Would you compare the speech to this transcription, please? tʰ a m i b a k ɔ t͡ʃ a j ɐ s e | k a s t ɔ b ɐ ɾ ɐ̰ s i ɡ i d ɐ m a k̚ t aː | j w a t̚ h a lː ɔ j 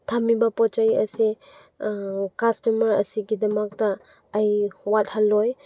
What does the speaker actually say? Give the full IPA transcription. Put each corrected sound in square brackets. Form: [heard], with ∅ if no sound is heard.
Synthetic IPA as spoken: tʰ a m i b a [p] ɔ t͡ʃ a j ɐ s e | k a s t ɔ [m] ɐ ɾ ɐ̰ s i ɡ i d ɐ m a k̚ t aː | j w a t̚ h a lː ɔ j